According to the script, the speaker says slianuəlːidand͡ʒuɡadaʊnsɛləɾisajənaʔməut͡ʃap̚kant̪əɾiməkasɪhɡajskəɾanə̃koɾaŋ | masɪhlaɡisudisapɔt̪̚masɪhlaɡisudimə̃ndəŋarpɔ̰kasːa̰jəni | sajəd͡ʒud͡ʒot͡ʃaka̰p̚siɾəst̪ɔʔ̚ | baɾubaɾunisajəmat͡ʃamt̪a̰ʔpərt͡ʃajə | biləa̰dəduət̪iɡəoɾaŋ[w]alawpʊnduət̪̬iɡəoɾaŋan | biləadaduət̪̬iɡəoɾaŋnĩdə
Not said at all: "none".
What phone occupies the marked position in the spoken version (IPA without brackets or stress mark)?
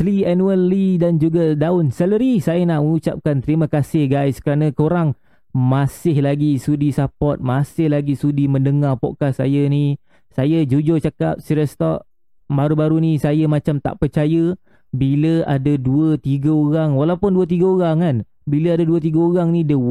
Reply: w